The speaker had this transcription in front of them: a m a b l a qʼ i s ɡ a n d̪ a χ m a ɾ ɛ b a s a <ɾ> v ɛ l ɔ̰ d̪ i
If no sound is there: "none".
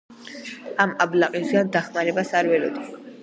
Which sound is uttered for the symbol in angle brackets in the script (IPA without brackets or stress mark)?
ɾ